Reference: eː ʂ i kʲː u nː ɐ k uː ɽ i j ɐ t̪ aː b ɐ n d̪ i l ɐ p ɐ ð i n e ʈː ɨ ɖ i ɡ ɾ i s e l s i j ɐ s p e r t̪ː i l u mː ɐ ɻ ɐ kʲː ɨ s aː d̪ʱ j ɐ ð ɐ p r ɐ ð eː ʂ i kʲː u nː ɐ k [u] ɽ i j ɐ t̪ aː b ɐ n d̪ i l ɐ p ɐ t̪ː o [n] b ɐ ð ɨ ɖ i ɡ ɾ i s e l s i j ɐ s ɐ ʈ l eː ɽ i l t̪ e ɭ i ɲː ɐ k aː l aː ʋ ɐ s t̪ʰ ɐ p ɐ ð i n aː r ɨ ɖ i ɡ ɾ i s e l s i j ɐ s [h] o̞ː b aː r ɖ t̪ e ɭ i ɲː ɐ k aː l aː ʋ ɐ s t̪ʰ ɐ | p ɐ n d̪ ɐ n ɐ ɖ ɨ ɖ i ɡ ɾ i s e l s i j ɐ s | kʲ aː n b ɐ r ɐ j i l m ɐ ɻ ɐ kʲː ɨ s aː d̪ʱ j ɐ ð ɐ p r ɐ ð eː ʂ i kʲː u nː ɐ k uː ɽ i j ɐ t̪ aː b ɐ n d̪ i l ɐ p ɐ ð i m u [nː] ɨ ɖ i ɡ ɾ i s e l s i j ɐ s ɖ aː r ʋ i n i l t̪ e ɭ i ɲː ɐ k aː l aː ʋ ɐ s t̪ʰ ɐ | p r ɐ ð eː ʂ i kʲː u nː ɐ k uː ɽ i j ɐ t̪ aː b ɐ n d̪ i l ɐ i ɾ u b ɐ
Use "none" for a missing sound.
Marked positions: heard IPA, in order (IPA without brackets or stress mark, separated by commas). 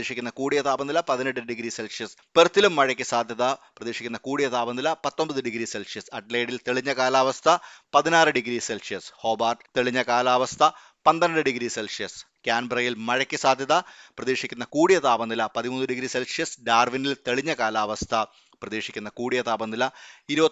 uː, m, h, nː